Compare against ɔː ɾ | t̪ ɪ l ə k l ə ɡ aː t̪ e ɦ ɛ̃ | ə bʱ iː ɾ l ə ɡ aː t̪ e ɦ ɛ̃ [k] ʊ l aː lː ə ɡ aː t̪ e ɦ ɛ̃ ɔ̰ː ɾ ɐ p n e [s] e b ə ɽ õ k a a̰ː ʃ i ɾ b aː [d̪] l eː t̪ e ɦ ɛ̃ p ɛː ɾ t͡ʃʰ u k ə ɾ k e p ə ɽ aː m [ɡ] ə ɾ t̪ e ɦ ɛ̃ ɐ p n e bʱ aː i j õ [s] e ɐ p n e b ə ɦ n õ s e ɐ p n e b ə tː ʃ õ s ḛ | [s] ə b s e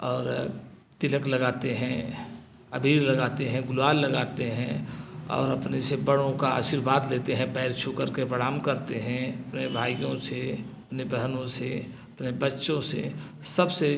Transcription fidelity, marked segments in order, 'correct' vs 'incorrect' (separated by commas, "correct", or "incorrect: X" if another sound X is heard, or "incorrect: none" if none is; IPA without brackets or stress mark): incorrect: ɡ, correct, correct, incorrect: k, correct, correct